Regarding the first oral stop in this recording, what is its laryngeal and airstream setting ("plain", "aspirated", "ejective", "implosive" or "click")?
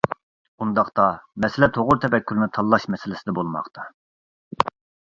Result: plain